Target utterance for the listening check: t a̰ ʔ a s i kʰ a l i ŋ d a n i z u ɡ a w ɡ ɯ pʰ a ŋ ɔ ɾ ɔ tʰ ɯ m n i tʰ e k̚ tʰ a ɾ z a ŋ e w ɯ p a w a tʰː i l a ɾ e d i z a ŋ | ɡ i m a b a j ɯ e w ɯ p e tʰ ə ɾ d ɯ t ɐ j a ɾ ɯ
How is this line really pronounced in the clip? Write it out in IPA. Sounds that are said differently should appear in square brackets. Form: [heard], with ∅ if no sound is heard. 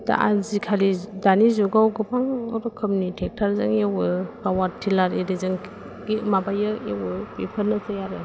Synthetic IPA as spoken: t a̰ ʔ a [z] i kʰ a l i [∅] d a n i z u ɡ a w ɡ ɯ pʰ a ŋ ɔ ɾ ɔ [kʰ] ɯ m n i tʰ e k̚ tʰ a ɾ z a ŋ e w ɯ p a w a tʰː i l a ɾ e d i z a ŋ | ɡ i m a b a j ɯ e w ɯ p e [pʰ] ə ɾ [n] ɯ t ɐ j a ɾ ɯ